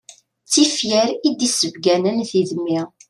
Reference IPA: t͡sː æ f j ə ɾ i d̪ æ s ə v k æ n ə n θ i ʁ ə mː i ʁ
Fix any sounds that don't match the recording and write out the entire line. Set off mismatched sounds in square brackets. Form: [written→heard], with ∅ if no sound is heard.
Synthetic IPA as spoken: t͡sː [æ→i] f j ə ɾ i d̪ [æ→i] s ə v [k→ɡ] æ n ə n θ i [ʁ→ð] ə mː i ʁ